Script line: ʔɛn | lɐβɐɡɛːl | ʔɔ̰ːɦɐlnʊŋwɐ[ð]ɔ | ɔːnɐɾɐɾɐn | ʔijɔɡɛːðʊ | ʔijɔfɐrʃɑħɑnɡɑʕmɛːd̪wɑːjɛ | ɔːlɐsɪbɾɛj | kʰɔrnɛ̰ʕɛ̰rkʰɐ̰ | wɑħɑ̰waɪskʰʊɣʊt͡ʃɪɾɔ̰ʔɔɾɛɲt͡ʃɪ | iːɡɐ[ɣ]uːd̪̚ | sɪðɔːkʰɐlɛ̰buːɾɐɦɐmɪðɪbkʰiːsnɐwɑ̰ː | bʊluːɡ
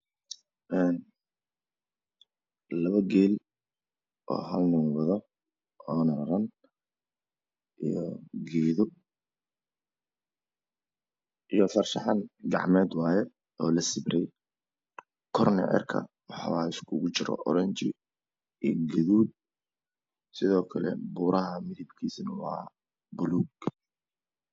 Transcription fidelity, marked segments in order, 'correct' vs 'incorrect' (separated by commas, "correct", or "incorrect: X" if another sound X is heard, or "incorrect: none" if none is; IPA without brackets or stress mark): correct, incorrect: ð